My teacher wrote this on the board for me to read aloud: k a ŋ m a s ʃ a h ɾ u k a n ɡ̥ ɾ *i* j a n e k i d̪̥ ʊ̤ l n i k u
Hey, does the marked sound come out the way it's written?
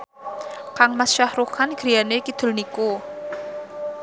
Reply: yes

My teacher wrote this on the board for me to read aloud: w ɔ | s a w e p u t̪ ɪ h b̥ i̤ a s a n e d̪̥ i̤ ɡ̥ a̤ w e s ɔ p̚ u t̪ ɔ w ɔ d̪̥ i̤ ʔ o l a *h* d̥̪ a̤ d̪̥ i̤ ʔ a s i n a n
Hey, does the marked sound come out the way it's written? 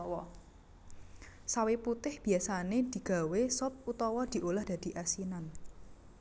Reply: yes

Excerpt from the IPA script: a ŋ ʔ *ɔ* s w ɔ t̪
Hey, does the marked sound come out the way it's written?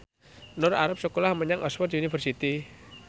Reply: yes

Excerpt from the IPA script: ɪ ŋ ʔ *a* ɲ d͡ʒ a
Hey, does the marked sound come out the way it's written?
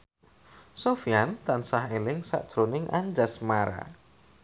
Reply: yes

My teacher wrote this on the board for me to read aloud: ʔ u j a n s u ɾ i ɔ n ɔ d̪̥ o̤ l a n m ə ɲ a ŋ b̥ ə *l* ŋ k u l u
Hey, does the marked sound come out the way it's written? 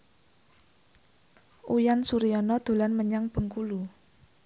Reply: no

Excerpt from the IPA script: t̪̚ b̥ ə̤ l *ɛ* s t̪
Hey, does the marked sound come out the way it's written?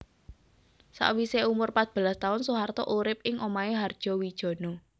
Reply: no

